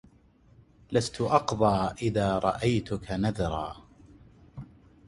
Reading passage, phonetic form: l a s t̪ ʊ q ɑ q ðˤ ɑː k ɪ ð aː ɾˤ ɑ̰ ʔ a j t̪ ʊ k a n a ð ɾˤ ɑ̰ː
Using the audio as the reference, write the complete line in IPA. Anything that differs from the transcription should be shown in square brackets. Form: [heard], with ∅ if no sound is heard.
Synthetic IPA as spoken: l a s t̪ ʊ [ʔ] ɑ q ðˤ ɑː [ʔ] ɪ ð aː ɾˤ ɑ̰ ʔ a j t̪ ʊ k a n a ð ɾˤ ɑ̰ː